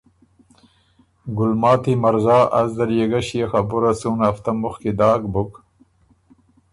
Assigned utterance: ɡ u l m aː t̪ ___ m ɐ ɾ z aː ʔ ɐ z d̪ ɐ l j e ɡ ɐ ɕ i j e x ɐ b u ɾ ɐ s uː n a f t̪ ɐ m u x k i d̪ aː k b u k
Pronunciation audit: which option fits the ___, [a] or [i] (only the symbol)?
i